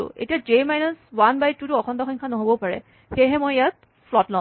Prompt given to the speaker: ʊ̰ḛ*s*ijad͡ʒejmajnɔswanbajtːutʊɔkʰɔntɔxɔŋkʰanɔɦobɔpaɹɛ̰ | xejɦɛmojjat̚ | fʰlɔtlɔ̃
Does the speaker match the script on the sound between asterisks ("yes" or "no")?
no